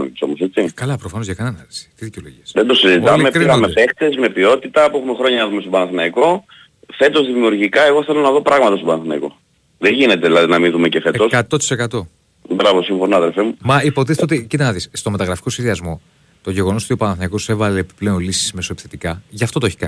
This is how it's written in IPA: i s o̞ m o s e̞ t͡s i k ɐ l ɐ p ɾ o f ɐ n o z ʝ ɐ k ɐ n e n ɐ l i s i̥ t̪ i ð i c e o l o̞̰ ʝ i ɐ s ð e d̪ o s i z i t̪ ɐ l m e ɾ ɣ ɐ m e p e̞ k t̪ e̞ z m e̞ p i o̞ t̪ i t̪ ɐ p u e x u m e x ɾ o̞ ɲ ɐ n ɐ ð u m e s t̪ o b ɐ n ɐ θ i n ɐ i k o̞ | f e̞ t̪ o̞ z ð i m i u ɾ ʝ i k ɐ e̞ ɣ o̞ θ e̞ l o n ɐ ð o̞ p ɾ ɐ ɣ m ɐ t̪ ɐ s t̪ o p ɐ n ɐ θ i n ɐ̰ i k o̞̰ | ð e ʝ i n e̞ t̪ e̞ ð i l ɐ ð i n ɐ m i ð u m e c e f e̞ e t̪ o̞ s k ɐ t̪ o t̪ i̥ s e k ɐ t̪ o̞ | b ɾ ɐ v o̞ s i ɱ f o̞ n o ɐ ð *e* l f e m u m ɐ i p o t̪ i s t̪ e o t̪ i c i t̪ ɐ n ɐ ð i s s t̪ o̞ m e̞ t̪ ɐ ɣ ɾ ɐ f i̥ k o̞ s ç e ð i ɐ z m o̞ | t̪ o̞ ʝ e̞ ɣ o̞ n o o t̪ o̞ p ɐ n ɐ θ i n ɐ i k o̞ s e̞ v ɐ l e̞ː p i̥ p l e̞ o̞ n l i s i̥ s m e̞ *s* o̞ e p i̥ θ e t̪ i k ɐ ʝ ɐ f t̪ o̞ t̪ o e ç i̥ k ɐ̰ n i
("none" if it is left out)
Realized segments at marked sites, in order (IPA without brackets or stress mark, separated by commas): e, s